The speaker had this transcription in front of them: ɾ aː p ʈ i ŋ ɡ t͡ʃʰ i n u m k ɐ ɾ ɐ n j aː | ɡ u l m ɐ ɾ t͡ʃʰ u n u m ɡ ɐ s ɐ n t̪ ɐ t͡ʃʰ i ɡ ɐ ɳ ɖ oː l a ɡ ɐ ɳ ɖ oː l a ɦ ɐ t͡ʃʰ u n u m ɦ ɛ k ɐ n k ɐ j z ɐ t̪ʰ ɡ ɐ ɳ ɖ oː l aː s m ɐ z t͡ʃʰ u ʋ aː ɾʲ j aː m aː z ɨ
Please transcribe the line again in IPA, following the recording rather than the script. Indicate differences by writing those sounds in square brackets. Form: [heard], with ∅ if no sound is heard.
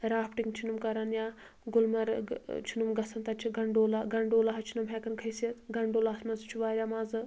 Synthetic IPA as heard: ɾ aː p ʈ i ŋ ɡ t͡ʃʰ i n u m k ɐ ɾ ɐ n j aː | ɡ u l m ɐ ɾ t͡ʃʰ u n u m ɡ ɐ s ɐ n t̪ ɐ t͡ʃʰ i ɡ ɐ ɳ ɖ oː l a ɡ ɐ ɳ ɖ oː l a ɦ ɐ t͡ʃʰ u n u m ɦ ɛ k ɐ n [kʰ] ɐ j [s] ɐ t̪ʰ ɡ ɐ ɳ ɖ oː l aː s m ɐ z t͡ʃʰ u ʋ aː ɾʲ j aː m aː z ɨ